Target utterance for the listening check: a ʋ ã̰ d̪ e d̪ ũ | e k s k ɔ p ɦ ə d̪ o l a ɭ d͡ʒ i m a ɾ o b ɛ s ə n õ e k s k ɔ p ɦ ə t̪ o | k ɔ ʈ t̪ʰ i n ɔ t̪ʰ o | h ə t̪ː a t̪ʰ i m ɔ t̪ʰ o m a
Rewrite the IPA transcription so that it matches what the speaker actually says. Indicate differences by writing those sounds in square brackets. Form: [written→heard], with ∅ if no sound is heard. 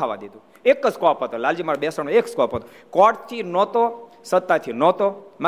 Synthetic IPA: a ʋ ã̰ d̪ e d̪ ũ | e k s k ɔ p ɦ ə [d̪→t̪] o l a [ɭ→l] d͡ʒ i m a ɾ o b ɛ s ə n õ e k s k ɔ p ɦ ə t̪ o | k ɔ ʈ t̪ʰ i n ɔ [t̪ʰ→t̪] o | [h→s] ə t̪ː a t̪ʰ i [m→n] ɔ [t̪ʰ→t̪] o m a